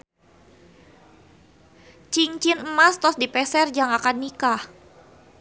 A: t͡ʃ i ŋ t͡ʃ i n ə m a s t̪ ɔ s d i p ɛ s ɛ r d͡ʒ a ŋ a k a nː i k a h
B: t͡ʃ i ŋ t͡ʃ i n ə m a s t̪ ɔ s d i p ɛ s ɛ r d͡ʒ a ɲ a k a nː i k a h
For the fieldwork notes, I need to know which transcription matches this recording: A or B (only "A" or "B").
A